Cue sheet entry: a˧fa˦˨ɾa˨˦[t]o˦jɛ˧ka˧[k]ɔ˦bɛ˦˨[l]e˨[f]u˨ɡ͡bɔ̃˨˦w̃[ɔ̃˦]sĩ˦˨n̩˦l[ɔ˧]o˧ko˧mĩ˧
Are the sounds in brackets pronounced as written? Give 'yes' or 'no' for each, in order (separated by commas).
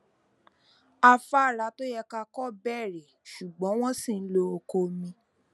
yes, yes, no, no, yes, no